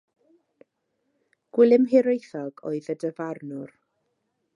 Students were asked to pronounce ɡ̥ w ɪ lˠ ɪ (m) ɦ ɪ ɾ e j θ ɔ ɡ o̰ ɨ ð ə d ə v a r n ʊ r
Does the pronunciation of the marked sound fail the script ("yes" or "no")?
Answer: no